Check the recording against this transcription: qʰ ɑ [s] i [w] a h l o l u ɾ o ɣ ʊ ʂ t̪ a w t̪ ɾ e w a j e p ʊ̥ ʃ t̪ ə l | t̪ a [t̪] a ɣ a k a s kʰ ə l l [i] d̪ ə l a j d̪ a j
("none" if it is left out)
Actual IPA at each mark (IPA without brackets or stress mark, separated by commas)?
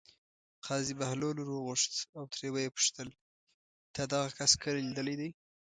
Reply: z, b, d̪, i